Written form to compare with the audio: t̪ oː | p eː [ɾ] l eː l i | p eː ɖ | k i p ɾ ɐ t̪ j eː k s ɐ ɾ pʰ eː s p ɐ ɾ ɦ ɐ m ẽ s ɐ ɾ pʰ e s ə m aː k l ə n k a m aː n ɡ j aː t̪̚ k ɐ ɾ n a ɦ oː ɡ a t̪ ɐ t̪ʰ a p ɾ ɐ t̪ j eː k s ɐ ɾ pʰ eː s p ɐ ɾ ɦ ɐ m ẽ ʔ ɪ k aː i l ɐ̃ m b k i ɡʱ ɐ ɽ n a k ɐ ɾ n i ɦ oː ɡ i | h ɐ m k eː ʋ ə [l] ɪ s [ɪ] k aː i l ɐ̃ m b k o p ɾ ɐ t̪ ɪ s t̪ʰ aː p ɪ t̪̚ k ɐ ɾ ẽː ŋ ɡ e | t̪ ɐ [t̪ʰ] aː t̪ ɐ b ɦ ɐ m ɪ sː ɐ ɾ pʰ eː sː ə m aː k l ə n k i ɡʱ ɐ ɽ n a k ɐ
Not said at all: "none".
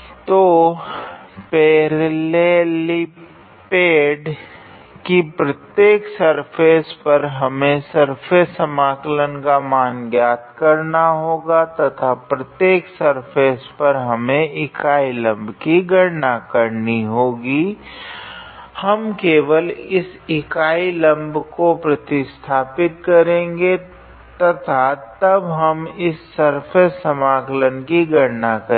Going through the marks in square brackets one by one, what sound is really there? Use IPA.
ɾ, l, ɪ, t̪ʰ

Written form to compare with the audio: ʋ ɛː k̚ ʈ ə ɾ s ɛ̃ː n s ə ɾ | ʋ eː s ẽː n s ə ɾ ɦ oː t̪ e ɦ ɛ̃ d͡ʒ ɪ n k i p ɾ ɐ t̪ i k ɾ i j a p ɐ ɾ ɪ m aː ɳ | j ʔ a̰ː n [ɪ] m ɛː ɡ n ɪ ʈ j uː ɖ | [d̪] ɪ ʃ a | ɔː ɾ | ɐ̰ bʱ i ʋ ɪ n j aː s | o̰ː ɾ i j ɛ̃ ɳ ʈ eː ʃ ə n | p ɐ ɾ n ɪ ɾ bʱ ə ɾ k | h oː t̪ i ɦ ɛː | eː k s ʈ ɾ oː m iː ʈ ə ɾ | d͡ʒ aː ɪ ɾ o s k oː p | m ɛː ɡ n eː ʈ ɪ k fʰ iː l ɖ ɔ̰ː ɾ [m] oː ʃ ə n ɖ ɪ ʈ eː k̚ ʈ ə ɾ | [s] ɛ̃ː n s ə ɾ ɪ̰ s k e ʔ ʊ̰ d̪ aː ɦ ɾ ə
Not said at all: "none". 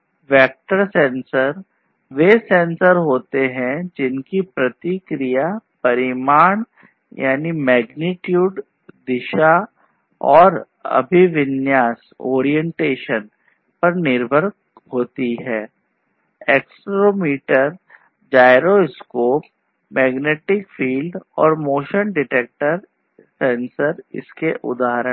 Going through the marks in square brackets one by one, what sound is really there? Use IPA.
i, d̪, m, s

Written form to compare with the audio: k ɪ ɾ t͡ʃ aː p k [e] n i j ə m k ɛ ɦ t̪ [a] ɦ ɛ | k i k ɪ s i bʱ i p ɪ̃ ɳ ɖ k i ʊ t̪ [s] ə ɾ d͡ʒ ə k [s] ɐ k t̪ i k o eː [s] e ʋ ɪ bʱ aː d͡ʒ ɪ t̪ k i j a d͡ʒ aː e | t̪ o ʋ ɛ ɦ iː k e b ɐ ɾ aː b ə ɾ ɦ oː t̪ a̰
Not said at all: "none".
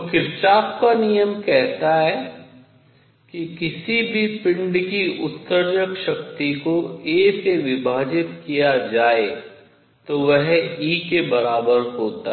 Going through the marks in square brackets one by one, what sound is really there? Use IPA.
a, a, s, ʃ, s

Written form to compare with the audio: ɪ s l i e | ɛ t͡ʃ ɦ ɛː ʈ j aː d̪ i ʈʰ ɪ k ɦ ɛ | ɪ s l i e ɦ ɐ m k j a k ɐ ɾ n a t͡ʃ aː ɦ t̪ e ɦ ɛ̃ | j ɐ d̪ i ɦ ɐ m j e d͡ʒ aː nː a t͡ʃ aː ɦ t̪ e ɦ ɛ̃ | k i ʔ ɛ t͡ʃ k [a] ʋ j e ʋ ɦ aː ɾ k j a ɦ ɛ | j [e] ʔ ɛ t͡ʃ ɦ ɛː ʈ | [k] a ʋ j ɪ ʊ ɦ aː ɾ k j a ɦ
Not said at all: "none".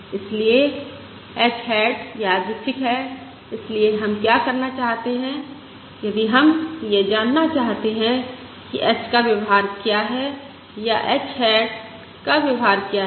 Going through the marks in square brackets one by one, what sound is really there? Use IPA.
a, a, k

